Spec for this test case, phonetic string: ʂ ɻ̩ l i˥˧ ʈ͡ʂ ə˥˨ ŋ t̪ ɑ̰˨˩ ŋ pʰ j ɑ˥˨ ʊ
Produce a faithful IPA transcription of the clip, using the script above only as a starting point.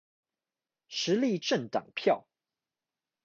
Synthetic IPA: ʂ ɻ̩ l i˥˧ ʈ͡ʂ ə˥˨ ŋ t̪ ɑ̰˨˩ ŋ pʰ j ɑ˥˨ ʊ